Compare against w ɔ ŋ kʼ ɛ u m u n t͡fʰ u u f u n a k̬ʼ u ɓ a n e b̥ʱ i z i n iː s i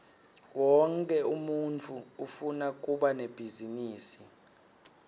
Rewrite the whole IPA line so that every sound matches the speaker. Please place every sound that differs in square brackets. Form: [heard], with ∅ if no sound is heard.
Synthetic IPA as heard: w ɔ ŋ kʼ ɛ u m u n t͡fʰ u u f u n a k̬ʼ u ɓ a n e b̥ʱ i z i n iː s i